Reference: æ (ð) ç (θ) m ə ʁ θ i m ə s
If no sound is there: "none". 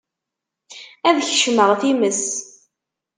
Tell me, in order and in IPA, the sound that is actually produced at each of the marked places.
ð, ʃ

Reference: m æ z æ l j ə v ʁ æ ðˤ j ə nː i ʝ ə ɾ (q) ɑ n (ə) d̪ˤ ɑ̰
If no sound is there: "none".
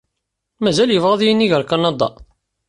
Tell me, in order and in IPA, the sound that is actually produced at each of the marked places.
k, ɑ

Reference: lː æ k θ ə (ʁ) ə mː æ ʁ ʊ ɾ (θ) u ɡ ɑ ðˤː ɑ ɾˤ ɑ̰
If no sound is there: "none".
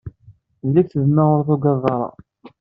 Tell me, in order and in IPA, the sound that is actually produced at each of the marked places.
ð, θ

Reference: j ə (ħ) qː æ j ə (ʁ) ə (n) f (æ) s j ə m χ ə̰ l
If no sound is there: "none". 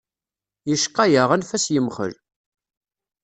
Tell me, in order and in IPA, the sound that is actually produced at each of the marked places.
ʃ, ʁ, n, æ

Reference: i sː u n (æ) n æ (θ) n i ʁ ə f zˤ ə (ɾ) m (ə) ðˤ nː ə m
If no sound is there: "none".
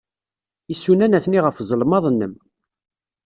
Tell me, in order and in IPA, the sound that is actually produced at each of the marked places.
æ, θ, l, ɑ

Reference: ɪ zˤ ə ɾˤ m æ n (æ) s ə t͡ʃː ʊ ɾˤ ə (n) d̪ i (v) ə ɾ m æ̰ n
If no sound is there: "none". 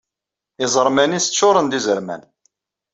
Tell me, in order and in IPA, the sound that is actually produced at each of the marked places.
i, n, z

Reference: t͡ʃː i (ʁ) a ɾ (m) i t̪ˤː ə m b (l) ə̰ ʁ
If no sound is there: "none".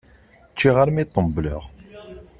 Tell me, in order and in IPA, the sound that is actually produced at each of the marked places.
ʁ, m, l

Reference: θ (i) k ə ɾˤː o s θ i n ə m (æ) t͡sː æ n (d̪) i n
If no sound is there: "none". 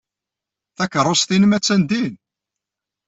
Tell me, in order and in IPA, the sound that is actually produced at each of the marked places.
æ, æ, d̪

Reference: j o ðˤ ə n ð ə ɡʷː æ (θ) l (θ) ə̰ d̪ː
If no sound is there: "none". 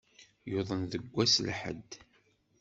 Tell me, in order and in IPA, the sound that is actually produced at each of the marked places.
s, ħ

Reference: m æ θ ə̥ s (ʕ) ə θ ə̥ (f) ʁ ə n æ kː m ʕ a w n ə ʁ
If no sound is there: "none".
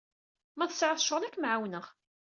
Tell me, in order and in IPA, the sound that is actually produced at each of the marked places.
ʕ, ʃ

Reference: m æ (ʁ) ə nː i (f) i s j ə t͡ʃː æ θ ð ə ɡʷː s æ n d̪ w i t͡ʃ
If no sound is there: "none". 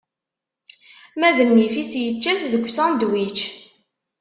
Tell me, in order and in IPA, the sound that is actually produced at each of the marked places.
ð, f

